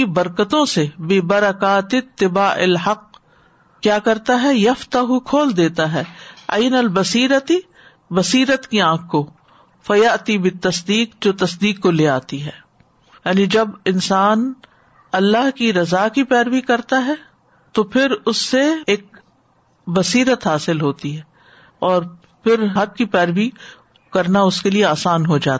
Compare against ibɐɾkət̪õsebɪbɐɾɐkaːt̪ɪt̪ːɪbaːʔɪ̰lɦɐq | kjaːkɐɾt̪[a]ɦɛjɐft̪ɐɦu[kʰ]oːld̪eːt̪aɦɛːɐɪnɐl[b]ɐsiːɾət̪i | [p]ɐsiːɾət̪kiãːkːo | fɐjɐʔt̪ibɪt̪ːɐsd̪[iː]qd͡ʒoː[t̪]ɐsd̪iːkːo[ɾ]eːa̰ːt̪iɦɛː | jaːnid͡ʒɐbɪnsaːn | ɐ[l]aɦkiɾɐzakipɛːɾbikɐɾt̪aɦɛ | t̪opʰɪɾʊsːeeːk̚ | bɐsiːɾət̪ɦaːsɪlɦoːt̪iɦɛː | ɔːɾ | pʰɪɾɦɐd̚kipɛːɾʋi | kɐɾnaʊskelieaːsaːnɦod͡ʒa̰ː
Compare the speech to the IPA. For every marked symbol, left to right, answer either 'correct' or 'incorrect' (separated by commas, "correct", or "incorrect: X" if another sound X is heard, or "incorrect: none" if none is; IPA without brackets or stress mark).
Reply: correct, correct, correct, incorrect: b, correct, correct, incorrect: l, incorrect: lː